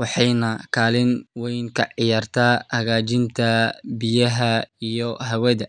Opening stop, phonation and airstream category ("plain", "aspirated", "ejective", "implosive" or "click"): aspirated